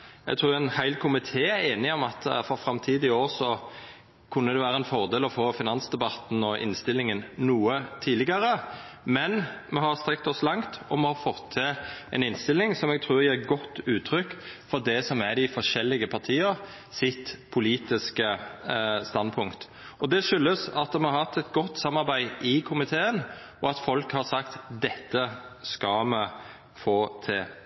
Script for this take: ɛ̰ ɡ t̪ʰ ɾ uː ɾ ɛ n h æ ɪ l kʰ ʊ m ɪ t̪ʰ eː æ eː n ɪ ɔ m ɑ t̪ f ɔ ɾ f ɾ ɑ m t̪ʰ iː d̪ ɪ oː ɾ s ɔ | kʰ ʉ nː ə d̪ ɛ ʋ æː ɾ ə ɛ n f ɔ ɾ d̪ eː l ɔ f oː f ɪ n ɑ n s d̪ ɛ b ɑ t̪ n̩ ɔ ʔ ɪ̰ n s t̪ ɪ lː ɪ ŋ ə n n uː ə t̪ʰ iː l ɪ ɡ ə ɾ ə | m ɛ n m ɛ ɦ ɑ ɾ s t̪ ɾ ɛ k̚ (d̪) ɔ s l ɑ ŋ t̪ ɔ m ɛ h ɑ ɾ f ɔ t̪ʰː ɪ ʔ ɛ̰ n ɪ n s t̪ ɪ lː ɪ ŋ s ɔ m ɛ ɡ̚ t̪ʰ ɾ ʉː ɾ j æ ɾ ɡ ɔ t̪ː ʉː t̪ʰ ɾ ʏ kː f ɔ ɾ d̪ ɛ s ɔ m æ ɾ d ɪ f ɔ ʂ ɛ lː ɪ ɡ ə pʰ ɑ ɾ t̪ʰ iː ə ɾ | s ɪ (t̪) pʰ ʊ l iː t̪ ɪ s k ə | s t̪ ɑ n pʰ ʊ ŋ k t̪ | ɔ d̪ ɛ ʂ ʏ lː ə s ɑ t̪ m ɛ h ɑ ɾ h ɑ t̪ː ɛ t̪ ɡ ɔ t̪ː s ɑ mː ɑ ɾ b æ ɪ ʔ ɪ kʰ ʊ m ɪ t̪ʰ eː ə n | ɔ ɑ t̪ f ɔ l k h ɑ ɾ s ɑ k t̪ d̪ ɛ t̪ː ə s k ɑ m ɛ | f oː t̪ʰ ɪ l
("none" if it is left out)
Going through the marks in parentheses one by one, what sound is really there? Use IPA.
t̪, t̪

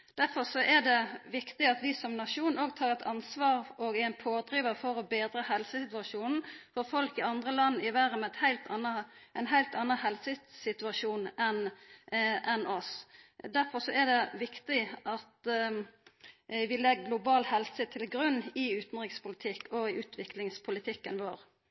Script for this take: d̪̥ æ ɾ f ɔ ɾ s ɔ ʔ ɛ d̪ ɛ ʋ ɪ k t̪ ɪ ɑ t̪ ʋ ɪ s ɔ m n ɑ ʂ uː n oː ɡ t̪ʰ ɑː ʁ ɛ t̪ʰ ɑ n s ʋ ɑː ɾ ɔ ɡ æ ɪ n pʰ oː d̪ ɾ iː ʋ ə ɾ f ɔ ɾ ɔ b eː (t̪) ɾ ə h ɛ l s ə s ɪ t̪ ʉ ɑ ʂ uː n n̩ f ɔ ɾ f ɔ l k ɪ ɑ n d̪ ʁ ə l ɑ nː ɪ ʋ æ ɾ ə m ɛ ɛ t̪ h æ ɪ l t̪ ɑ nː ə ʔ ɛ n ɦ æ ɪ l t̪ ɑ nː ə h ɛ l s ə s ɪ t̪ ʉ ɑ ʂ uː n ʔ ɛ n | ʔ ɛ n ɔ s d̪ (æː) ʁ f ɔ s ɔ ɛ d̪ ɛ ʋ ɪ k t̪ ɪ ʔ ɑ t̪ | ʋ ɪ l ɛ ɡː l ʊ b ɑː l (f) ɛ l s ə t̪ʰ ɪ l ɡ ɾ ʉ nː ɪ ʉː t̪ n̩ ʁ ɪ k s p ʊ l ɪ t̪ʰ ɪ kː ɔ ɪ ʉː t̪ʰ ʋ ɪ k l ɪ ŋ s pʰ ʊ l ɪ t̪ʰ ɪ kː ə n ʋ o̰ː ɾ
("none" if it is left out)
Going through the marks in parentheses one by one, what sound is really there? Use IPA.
d̪, æ, h

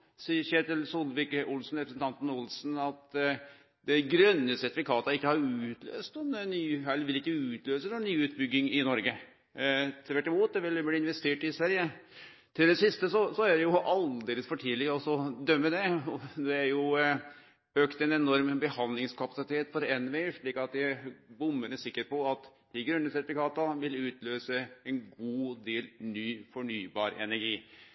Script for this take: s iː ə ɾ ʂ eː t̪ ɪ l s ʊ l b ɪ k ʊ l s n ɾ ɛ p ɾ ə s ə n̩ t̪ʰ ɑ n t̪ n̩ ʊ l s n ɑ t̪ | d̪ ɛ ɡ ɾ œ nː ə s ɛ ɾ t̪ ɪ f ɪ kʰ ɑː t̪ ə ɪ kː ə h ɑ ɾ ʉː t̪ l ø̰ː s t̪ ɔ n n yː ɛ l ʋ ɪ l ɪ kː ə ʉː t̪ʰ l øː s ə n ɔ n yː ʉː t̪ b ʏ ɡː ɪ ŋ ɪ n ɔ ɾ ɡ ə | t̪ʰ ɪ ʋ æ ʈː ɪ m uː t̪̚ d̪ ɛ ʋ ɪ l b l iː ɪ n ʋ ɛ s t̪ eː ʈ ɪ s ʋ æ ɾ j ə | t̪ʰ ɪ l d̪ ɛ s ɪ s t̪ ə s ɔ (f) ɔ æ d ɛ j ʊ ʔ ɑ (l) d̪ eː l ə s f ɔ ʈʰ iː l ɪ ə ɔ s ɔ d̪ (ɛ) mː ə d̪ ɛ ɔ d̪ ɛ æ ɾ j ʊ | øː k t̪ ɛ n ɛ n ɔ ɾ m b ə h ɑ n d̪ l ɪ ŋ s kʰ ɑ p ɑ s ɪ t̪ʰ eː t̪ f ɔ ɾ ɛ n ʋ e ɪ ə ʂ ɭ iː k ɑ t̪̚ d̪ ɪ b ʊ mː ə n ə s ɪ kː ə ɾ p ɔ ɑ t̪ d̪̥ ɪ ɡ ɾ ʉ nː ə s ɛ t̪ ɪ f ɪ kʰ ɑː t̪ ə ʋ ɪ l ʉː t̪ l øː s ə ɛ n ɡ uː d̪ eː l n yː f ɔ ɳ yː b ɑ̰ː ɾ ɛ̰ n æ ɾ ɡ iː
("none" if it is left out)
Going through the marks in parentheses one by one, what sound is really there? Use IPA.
s, l, œ

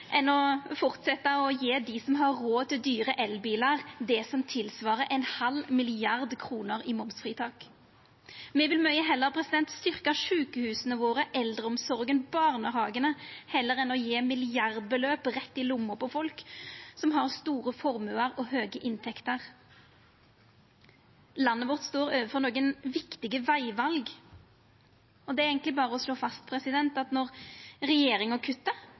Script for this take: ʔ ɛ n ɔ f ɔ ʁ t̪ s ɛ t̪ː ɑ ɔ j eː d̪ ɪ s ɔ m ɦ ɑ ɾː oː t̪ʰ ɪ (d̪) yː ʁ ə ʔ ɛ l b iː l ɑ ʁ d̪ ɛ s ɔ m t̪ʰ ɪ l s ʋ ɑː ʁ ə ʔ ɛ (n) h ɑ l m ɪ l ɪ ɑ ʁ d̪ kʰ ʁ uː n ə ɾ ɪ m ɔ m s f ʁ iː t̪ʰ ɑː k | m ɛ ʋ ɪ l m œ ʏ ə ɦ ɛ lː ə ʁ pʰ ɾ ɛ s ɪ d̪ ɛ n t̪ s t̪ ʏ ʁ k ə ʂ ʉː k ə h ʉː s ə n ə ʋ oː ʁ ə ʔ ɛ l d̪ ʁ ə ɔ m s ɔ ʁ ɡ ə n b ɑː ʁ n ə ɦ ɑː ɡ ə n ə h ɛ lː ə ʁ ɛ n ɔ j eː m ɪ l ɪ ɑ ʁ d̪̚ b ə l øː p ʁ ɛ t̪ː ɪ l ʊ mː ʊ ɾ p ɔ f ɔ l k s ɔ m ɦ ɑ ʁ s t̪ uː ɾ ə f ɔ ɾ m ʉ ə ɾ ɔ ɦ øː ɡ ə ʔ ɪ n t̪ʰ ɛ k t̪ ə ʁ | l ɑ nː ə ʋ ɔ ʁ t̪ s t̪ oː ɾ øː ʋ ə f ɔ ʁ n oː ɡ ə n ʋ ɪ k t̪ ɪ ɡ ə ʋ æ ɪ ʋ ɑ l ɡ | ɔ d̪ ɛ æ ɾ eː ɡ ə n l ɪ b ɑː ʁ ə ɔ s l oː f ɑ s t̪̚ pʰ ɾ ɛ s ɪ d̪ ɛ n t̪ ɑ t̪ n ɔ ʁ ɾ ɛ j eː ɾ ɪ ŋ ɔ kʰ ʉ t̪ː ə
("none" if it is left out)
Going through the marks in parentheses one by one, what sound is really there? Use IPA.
d̪, n

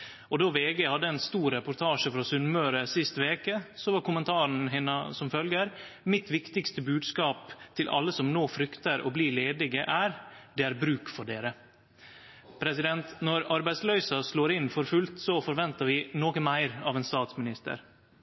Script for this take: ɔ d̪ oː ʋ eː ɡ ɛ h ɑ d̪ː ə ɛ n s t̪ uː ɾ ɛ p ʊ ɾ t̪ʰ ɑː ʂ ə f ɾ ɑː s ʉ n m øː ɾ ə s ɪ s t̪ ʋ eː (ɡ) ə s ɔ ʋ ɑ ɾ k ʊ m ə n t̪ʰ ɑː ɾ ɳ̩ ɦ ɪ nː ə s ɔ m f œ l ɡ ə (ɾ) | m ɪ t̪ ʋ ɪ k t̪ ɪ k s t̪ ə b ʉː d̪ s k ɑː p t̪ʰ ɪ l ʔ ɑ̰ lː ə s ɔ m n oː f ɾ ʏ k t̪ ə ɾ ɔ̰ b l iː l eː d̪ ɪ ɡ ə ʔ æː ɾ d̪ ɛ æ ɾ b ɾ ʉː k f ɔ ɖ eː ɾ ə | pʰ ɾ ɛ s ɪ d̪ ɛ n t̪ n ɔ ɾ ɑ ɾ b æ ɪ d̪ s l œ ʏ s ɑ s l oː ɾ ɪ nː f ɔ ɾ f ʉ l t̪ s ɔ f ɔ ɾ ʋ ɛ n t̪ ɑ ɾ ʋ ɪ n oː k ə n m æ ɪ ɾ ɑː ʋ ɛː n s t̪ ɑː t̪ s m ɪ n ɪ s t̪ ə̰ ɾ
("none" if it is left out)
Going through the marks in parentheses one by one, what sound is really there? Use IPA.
k, ɾ

